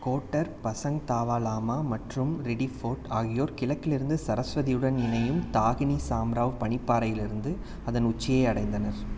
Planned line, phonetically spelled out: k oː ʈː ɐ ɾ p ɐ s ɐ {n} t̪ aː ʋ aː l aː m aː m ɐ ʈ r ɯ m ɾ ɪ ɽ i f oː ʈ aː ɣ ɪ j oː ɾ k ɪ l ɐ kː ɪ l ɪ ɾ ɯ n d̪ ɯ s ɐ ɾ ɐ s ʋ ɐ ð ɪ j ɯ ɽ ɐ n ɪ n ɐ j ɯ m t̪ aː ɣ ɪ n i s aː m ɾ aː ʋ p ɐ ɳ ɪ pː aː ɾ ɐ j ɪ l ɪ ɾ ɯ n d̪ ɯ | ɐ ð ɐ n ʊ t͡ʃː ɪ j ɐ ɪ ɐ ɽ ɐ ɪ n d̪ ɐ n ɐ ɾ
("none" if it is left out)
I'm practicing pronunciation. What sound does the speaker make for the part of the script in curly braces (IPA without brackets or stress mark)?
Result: ŋ